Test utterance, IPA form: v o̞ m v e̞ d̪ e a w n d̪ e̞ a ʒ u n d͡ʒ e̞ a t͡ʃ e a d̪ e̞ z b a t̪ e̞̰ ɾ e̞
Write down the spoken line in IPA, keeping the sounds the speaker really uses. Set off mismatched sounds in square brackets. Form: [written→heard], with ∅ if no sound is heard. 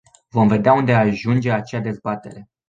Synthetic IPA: v o̞ m v e̞ d̪ e a [w→u] n d̪ e̞ a ʒ u n d͡ʒ e̞ a t͡ʃ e a d̪ e̞ z b a t̪ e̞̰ ɾ e̞